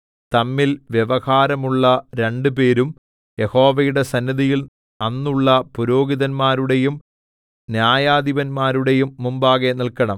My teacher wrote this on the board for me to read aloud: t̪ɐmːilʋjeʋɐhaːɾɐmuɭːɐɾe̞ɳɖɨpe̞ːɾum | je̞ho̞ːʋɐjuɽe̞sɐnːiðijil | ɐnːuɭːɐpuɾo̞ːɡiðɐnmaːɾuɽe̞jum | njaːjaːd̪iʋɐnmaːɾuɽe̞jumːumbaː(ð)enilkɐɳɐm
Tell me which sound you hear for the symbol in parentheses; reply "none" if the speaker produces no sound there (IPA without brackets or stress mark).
ɣ